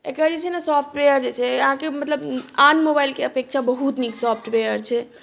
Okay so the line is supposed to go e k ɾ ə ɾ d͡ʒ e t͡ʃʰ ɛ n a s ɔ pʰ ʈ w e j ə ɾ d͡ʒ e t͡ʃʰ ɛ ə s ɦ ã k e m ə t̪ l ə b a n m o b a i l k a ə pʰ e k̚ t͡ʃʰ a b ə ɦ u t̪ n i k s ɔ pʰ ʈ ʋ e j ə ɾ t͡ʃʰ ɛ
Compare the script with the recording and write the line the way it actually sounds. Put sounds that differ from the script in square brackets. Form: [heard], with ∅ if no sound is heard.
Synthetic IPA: e k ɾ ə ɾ d͡ʒ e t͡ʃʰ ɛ n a s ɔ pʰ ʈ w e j ə ɾ d͡ʒ e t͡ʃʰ ɛ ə [∅] ɦ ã k e m ə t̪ l ə b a n m o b a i l k [e] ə [p] e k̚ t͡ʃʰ a b ə ɦ u t̪ n i k s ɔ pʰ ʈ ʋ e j ə ɾ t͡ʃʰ ɛ